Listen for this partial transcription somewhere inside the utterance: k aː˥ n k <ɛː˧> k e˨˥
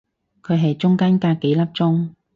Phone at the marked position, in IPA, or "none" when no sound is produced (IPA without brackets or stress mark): aː˧